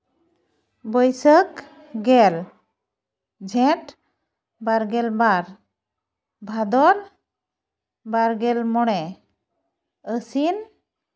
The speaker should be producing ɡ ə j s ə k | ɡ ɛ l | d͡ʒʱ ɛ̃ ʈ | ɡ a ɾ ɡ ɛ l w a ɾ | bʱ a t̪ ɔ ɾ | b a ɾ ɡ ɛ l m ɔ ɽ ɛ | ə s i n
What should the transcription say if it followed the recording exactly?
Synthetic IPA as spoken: b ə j s ə k | ɡ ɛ l | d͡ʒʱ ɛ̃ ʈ | b a ɾ ɡ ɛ l b a ɾ | bʱ a d̪ ɔ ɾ | b a ɾ ɡ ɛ l m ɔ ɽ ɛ | ə s i n